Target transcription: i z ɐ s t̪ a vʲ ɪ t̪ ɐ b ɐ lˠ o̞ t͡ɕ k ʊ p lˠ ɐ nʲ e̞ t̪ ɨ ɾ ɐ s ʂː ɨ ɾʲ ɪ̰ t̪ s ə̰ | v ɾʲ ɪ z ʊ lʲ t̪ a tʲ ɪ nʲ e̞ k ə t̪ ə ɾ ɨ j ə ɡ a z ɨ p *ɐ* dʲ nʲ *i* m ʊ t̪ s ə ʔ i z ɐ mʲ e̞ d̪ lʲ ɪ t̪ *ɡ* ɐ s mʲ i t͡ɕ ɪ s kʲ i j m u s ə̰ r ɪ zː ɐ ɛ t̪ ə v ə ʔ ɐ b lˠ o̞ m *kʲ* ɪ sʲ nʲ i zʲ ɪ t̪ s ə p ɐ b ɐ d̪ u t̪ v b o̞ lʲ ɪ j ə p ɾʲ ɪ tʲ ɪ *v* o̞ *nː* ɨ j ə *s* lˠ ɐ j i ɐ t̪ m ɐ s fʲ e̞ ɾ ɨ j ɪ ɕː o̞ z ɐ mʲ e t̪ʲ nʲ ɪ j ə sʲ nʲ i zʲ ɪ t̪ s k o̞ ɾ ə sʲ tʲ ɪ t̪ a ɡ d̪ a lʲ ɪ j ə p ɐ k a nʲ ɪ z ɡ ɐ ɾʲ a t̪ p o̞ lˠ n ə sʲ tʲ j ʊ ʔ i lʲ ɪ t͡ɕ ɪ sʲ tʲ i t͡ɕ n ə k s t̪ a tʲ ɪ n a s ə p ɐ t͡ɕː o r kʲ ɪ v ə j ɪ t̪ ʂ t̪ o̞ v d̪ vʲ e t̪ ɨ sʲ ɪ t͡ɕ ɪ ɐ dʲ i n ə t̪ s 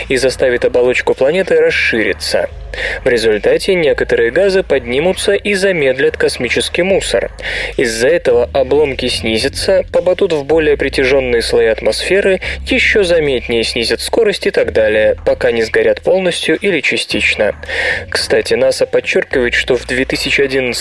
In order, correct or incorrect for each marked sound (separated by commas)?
correct, correct, incorrect, correct, incorrect, correct, correct